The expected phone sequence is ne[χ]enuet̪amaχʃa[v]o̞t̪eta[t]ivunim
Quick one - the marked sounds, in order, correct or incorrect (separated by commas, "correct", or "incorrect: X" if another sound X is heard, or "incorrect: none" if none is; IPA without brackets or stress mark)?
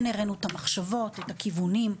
incorrect: ʁ, correct, incorrect: k